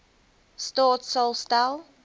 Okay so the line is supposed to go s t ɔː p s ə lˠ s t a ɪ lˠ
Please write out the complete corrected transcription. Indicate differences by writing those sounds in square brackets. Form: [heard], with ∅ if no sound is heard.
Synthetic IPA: s t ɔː [t] s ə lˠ s t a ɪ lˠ